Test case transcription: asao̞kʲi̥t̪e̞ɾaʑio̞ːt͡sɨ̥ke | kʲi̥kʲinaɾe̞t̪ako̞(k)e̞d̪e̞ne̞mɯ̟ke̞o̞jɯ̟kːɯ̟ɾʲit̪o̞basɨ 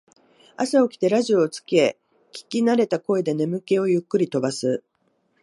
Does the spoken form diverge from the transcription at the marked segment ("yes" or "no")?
yes